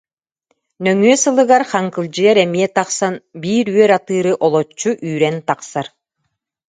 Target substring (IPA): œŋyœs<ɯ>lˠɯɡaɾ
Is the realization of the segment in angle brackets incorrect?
no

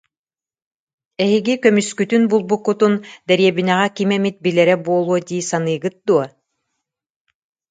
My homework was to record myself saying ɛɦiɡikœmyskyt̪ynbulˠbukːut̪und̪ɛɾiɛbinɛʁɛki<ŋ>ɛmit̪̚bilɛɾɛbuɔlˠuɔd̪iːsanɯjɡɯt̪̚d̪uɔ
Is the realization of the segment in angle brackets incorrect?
yes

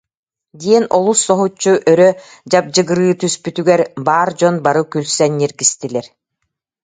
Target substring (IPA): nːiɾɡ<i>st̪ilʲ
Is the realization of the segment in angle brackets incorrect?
no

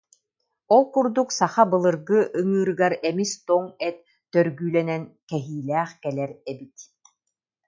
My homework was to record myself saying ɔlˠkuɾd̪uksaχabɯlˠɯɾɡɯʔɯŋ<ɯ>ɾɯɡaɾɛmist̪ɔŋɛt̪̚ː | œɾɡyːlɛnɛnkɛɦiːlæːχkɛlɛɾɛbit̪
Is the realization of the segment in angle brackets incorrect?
yes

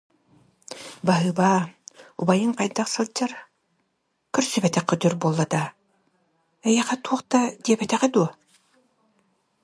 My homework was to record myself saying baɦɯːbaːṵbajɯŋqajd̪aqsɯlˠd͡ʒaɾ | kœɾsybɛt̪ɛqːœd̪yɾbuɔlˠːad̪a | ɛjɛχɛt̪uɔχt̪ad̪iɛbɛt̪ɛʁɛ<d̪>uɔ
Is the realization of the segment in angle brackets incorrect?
no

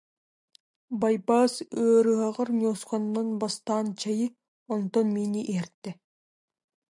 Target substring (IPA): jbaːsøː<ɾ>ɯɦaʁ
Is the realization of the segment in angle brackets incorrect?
no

